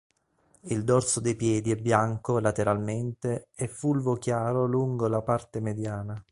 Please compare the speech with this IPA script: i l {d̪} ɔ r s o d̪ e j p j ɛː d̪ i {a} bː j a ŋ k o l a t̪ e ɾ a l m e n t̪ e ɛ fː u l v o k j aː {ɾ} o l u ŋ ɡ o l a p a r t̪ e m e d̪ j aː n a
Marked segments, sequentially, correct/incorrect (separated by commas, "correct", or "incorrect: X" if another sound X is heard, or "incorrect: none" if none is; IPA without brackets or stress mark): correct, incorrect: ɛ, correct